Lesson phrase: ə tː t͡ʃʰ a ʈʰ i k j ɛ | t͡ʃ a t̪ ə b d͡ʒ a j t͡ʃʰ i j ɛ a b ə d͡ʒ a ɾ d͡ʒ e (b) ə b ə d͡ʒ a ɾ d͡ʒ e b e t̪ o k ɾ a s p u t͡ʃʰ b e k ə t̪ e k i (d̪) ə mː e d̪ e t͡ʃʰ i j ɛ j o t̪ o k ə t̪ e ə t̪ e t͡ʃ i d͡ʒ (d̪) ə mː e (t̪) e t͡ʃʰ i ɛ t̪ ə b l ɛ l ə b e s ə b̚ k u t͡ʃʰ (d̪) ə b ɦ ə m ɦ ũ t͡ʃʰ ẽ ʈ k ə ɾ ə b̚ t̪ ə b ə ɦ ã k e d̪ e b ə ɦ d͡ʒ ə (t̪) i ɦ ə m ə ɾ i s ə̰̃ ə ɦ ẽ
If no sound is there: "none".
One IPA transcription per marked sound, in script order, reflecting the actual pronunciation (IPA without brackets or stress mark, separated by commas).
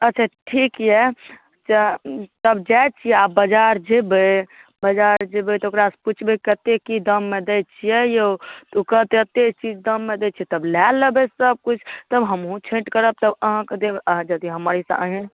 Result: b, d̪, d̪, d̪, t̪, d̪